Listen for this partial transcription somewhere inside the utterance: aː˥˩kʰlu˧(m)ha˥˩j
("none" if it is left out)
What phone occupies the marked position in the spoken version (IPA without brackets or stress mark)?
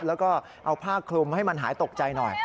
m